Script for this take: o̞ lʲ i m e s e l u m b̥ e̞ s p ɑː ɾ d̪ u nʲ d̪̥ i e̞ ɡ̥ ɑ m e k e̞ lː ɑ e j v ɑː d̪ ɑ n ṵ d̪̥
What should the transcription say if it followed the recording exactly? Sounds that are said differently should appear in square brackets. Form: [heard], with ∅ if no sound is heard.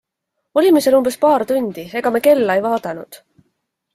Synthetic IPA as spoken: o̞ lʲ i m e s e l u m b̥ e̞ s p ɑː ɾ [t̪] u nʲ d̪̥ i e̞ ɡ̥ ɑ m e k e̞ lː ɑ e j v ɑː d̪ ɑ n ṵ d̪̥